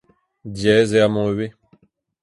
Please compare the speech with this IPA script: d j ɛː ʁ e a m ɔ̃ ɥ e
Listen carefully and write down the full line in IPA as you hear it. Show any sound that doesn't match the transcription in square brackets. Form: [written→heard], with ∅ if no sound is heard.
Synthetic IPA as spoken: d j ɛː [ʁ→z] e a m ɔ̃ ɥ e